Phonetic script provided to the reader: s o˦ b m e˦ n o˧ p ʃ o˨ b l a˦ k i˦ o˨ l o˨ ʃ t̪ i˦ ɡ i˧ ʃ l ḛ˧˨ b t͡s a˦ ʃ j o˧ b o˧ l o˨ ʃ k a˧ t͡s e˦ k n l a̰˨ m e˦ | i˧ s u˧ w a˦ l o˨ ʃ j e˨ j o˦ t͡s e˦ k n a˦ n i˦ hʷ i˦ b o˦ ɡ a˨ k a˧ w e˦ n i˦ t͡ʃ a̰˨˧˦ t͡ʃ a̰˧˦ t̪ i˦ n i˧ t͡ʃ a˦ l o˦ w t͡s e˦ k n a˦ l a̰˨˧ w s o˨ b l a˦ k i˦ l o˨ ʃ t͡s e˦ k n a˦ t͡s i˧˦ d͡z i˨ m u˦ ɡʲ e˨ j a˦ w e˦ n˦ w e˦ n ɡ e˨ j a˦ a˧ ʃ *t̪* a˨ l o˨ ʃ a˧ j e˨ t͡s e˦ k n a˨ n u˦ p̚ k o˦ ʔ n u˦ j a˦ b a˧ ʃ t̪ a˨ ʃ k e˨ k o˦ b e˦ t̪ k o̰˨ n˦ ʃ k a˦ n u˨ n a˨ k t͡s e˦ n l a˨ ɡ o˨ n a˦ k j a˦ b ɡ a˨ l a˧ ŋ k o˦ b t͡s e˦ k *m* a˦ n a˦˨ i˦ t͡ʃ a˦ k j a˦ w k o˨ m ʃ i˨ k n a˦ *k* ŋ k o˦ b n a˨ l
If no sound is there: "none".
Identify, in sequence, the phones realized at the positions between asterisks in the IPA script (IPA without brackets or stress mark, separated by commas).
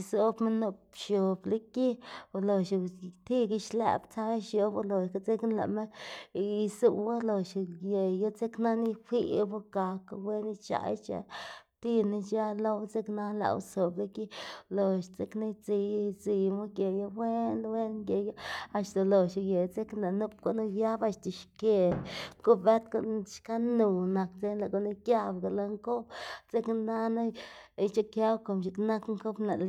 t̪, n, k